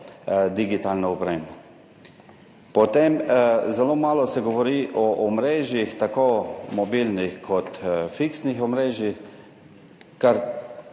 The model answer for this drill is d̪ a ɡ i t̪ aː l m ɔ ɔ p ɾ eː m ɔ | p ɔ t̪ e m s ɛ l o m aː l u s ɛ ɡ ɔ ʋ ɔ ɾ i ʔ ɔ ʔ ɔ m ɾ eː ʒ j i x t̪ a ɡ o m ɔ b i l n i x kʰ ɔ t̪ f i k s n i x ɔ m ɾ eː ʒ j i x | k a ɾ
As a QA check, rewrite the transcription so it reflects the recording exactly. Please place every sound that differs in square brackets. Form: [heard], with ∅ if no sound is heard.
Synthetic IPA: d̪ [i] ɡ i t̪ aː l [n] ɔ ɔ p ɾ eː m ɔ | p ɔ t̪ e m [z] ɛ l o m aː l [ɔ] s ɛ ɡ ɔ ʋ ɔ ɾ i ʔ ɔ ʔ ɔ m ɾ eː ʒ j i x t̪ a [k] o m ɔ b i l n i x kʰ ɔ t̪ f i k s n i x ɔ m ɾ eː ʒ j i x | k a ɾ